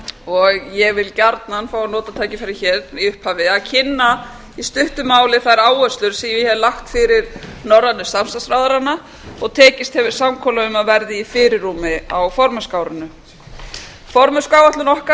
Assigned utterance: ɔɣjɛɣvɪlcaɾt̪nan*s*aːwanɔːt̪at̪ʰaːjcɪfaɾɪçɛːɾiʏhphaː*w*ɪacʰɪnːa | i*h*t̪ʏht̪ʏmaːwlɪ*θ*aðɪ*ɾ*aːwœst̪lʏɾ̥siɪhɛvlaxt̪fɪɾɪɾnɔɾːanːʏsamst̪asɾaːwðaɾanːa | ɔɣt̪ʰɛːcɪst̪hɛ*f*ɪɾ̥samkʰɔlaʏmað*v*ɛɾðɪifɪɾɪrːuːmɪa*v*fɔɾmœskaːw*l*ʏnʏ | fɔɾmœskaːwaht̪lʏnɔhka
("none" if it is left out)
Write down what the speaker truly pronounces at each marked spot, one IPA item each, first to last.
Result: f, v, s, θ, ɾ, v, v, w, ɾ

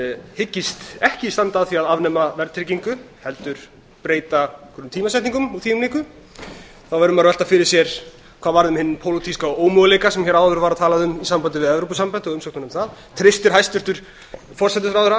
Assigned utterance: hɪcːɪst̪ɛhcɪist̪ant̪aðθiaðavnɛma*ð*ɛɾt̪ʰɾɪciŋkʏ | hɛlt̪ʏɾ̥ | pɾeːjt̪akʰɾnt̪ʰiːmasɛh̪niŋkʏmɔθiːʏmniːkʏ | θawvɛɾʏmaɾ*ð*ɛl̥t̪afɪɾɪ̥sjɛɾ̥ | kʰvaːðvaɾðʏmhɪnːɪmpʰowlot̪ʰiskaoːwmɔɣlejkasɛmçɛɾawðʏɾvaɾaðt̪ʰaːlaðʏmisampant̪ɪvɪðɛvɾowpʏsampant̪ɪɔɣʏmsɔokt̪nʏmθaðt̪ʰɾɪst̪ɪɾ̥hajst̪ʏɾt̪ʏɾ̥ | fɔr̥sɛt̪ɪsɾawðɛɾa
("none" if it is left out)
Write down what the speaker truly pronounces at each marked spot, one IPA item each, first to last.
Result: v, v

